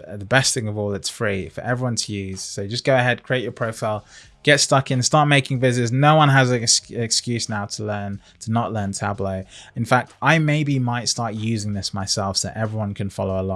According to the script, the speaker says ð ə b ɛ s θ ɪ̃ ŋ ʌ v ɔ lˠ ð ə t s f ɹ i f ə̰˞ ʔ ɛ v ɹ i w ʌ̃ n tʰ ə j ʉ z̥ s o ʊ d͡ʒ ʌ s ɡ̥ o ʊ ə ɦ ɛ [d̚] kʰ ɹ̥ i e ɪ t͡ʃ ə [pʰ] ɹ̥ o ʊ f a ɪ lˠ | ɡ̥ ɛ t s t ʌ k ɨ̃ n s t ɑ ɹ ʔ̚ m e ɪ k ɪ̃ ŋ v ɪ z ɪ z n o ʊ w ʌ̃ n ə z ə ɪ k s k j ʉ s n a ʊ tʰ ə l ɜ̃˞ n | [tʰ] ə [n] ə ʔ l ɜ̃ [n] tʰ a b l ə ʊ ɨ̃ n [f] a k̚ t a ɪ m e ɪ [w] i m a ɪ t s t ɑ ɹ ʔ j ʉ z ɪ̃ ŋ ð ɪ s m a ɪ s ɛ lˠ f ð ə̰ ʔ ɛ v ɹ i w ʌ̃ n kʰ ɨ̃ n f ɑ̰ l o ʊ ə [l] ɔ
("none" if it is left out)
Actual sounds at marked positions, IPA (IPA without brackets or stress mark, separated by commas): d̚, pʰ, tʰ, n, n, f, b, l